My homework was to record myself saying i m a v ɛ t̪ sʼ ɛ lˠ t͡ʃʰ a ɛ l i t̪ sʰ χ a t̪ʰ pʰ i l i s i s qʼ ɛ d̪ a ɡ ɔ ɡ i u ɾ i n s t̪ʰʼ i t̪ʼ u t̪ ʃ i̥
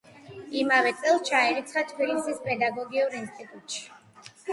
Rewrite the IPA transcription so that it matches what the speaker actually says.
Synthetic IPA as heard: i m a v ɛ t̪ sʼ ɛ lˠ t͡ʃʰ a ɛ ɾ i t̪ sʰ χ a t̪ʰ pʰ i l i s i s pʼ ɛ d̪ a ɡ ɔ ɡ i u ɾ i n s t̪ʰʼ i t̪ʼ u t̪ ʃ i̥

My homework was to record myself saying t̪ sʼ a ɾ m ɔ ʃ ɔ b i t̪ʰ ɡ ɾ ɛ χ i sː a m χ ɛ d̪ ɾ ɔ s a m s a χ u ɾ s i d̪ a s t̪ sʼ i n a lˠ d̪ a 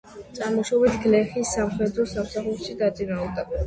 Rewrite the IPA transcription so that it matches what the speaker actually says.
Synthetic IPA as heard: t̪ sʼ a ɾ m ɔ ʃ ɔ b i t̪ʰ ɡ l ɛ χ i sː a m χ ɛ d̪ ɾ ɔ s a m s a χ u ɾ ʃ i d̪ a t̪ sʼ i n a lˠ d̪ a

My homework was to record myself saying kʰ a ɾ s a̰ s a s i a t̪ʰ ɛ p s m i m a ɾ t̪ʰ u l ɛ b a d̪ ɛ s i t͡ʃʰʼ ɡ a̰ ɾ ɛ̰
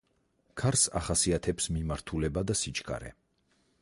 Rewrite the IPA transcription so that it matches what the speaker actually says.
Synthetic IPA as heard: kʰ a ɾ s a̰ χ a s i a t̪ʰ ɛ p s m i m a ɾ t̪ʰ u l ɛ b a d̪ a s i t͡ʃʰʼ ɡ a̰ ɾ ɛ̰

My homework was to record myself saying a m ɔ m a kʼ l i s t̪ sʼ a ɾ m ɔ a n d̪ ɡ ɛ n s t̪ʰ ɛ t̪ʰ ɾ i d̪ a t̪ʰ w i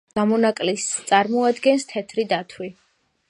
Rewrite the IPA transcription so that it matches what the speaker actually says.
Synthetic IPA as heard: a m ɔ n a kʼ l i s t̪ sʼ a ɾ m ɔ a d̪ ɡ ɛ n s t̪ʰ ɛ t̪ʰ ɾ i d̪ a t̪ʰ w i

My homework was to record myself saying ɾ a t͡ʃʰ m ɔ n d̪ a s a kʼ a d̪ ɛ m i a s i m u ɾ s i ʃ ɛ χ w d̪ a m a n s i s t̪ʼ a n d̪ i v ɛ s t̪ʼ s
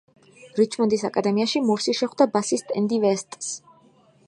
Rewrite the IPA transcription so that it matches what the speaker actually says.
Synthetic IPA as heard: ɾ i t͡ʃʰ m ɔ n d̪ i s a kʼ a d̪ ɛ m i a ʃ i m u ɾ s i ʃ ɛ χ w d̪ a b a s i s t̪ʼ ɛ n d̪ i v ɛ s t̪ʼ s

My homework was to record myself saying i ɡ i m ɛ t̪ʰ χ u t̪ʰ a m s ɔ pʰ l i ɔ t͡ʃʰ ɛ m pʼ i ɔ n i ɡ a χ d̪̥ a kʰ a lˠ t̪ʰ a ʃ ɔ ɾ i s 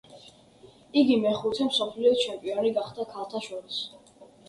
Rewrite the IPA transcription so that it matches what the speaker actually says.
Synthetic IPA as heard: i ɡ i m ɛ χ u t̪ʰ ɛ m s ɔ pʰ l i ɔ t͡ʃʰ ɛ m pʼ i ɔ n i ɡ a χ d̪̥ a kʰ a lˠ t̪ʰ a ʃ ɔ ɾ i s

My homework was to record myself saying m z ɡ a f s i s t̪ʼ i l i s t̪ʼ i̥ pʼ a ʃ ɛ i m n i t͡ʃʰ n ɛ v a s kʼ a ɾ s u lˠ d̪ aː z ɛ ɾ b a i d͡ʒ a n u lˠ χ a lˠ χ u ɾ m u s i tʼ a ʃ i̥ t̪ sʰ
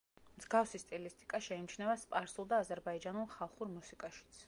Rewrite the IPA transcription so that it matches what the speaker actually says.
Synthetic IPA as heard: m z ɡ a f s i s t̪ʼ i l i s t̪ʼ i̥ kʼ a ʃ ɛ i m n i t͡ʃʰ n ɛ v a s pʼ a ɾ s u lˠ d̪ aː z ɛ ɾ b a i d͡ʒ a n u lˠ χ a lˠ χ u ɾ m u s i kʼ a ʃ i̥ t̪ sʰ

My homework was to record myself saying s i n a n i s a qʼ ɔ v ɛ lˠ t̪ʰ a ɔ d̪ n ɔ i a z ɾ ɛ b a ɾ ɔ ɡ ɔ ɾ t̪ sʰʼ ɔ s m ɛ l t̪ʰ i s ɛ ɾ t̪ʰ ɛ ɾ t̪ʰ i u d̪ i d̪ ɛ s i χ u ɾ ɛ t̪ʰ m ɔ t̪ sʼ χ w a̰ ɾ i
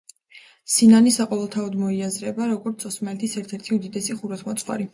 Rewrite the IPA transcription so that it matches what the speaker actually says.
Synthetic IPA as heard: s i n a n i s a qʼ ɔ v ɛ lˠ t̪ʰ a ɔ d̪ m ɔ i a z ɾ ɛ b a ɾ ɔ ɡ ɔ ɾ t̪ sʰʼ ɔ s m ɛ l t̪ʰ i s ɛ ɾ t̪ʰ ɛ ɾ t̪ʰ i u d̪ i d̪ ɛ s i χ u ɾ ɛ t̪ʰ m ɔ t̪ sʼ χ w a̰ ɾ i

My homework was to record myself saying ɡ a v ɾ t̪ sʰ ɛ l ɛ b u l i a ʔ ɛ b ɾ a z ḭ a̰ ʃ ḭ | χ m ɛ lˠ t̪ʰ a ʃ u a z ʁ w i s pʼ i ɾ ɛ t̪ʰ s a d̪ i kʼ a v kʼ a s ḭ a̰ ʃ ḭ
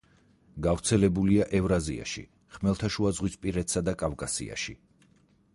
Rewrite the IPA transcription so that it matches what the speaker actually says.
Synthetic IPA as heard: ɡ a v ɾ t̪ sʰ ɛ l ɛ b u l i a ʔ ɛ v ɾ a z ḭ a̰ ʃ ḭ | χ m ɛ lˠ t̪ʰ a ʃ u a z ʁ w i s pʼ i ɾ ɛ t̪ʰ s a d̪ a kʼ a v kʼ a s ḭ a̰ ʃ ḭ

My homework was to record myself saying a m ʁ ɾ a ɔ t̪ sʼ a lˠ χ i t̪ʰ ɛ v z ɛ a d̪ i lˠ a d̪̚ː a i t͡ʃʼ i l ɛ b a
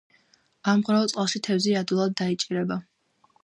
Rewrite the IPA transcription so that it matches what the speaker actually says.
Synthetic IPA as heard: a m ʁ ɾ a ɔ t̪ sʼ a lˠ ʃ i t̪ʰ ɛ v z i a d̪ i lˠ a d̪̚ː a i t͡ʃʼ i ɾ ɛ b a

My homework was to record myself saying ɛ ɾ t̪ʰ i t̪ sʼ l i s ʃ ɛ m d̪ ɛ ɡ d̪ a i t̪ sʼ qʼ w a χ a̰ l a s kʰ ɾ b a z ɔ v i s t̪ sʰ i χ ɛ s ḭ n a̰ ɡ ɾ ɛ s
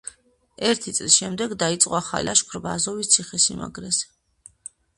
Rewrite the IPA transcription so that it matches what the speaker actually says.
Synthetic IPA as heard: ɛ ɾ t̪ʰ i t̪ sʼ l i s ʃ ɛ m d̪ ɛ ɡ d̪ a i t̪ sʼ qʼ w a χ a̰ l a ʃ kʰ ɾ b a z ɔ v i s t̪ sʰ i χ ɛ s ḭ m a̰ ɡ ɾ ɛ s

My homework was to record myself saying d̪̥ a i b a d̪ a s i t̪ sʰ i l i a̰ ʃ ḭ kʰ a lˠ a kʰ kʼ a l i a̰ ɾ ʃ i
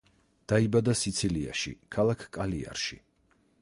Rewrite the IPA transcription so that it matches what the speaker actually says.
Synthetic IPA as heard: d̪̥ a i b a d̪ a s i t̪ sʰ i l i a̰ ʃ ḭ kʰ a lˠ a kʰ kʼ a l i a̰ ɾ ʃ i

